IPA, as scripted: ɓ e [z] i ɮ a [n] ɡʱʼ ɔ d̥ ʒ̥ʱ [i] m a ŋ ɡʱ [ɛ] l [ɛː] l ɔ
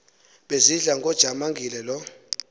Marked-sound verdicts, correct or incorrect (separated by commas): correct, incorrect, incorrect, incorrect, incorrect